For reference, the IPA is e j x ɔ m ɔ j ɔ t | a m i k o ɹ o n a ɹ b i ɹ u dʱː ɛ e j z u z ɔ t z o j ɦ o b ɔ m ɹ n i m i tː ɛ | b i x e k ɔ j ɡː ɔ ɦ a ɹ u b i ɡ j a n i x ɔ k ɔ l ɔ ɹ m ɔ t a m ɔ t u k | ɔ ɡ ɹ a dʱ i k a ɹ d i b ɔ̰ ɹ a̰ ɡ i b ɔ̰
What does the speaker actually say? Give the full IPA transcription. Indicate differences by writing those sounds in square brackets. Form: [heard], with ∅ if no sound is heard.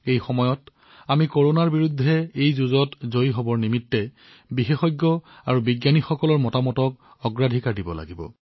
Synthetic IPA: e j x ɔ m ɔ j ɔ t | a m i k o ɹ o n a ɹ b i ɹ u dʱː ɛ e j z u z ɔ t z o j ɦ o b ɔ [∅] ɹ n i m i tː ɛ | b i x e [x] ɔ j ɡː ɔ [∅] a ɹ u b i ɡ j a n i x ɔ k ɔ l ɔ ɹ m ɔ t a m ɔ t [ɔ] k | ɔ ɡ ɹ a dʱ i k a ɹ d i b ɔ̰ [l] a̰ ɡ i b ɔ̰

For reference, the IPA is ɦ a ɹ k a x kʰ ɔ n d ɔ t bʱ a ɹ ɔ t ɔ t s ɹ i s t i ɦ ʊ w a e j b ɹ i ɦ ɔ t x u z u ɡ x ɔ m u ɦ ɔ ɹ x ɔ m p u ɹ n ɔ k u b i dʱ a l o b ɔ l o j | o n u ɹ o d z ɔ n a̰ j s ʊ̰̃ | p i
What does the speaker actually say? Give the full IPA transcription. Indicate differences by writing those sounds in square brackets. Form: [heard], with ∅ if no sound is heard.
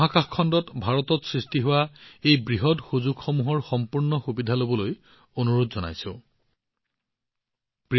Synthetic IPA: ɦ a [∅] k a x kʰ ɔ n d ɔ t bʱ a ɹ ɔ t ɔ t s ɹ i s t i ɦ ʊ w a e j b ɹ i ɦ ɔ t x u z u ɡ x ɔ m u ɦ ɔ ɹ x ɔ m p u ɹ n ɔ [x] u b i dʱ a l o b ɔ l o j | o n u ɹ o d z ɔ n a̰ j s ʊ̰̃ | p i

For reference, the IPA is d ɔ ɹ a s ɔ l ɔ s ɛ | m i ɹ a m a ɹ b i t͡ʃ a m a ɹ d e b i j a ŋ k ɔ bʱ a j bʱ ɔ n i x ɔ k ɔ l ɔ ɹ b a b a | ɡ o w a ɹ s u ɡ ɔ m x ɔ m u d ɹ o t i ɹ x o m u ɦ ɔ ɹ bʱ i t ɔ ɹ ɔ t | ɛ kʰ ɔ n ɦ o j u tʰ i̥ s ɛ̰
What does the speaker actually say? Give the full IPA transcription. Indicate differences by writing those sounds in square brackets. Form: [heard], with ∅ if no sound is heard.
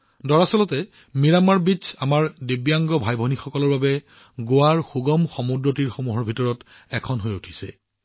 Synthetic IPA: d ɔ ɹ a s ɔ l ɔ [t] ɛ | m i ɹ a m a ɹ b i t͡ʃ a m a ɹ d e b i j a ŋ [ɡ] ɔ bʱ a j bʱ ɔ n i x ɔ k ɔ l ɔ ɹ b a b [ɛ] | ɡ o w a ɹ [x] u ɡ ɔ m x ɔ m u d ɹ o t i ɹ x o m u ɦ ɔ ɹ bʱ i t ɔ ɹ ɔ t | ɛ kʰ ɔ n ɦ o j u tʰ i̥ s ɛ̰

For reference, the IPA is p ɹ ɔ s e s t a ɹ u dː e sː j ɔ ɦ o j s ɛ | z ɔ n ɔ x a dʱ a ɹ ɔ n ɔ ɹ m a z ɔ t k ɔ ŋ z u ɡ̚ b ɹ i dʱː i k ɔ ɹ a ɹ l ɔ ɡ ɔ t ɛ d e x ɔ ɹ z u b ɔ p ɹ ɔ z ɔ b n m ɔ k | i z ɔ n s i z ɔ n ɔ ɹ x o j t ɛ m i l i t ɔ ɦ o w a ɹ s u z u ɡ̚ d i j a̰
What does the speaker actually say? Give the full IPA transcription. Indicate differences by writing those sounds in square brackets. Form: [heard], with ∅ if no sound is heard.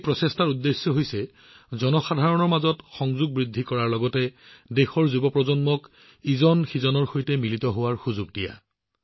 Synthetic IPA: p ɹ ɔ s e s t a ɹ u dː e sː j ɔ ɦ o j s ɛ | z ɔ n ɔ x a dʱ a ɹ ɔ n ɔ ɹ m a z ɔ t [x] ɔ ŋ z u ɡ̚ b ɹ i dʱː i k ɔ ɹ a ɹ l ɔ ɡ ɔ t ɛ d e x ɔ ɹ z u b ɔ p ɹ ɔ z ɔ [∅] n m ɔ k | i z ɔ n [x] i z ɔ n ɔ ɹ x o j t ɛ m i l i t ɔ ɦ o w a ɹ [x] u z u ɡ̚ d i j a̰

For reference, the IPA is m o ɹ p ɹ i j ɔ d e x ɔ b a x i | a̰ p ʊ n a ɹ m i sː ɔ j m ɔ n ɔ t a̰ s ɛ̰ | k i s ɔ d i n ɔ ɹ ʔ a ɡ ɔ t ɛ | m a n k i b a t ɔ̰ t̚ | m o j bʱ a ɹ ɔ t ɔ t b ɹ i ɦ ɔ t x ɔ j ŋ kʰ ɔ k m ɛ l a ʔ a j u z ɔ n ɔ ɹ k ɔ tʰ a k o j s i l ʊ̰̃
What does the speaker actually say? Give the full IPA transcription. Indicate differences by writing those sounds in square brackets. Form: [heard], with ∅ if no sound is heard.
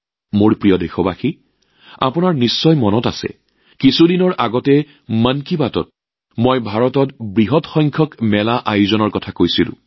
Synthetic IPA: m o ɹ p ɹ i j ɔ d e x ɔ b a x i | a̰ p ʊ n a ɹ [n] i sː ɔ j m ɔ n ɔ t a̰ s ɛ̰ | k i s [u] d i n ɔ ɹ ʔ a ɡ ɔ t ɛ | m a n k i b a t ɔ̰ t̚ | m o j bʱ a ɹ ɔ t ɔ t b ɹ i ɦ ɔ t x ɔ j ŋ kʰ ɔ k m ɛ l a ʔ a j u z ɔ n ɔ ɹ k ɔ tʰ a k o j s i l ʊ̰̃

